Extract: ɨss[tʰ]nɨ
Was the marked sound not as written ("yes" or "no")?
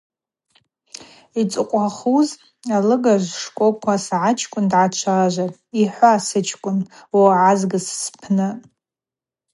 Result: yes